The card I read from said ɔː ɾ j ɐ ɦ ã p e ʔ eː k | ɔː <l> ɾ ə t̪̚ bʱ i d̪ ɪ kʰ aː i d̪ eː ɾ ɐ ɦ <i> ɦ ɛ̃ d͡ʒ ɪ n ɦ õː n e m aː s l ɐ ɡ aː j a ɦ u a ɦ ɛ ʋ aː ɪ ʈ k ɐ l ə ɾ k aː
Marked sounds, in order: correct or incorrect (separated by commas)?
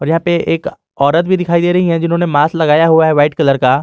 incorrect, correct